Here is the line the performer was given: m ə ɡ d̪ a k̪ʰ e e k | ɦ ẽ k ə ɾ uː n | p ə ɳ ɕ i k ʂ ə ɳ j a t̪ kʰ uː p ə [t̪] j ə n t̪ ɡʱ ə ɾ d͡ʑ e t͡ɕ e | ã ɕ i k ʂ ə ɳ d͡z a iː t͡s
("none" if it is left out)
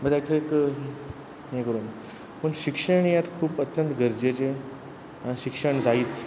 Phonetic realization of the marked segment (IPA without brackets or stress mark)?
t̪